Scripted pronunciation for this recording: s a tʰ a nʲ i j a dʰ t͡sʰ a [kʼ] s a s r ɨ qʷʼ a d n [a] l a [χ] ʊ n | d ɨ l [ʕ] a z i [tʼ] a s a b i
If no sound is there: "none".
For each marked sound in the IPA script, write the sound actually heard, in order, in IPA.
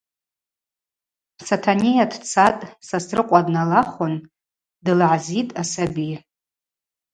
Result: tʼ, a, χ, ʕ, tʼ

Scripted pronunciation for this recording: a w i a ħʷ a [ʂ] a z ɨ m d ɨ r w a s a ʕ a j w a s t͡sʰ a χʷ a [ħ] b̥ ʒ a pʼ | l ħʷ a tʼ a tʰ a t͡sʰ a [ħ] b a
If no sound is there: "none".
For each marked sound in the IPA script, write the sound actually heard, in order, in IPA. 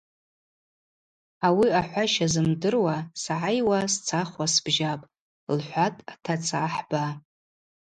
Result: ʃ, s, ħ

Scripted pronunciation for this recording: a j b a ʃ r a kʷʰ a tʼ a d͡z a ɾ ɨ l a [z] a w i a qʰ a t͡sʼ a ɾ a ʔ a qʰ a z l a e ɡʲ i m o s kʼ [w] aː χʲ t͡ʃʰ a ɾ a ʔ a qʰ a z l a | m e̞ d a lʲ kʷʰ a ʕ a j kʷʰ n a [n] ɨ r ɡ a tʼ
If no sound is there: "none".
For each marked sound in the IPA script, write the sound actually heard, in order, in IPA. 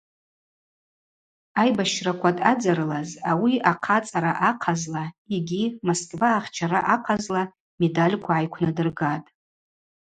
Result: z, v, d

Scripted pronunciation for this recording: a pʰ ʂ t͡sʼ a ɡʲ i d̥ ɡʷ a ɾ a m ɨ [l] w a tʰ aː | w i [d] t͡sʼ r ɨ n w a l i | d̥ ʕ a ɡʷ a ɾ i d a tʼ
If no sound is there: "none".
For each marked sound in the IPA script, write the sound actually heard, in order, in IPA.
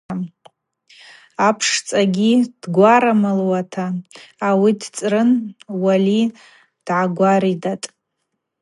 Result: l, d

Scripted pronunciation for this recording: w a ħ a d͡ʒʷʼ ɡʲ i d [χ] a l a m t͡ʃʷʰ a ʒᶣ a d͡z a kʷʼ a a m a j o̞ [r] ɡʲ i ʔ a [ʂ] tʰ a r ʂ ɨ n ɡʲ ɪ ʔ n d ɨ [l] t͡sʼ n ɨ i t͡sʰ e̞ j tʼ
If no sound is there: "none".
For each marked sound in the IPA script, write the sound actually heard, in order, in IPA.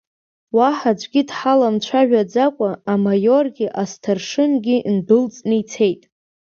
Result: ħ, r, s, l

